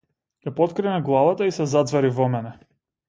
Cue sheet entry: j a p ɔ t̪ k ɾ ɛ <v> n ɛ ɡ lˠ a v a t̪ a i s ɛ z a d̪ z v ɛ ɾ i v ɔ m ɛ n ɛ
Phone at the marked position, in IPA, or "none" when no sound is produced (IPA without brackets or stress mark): none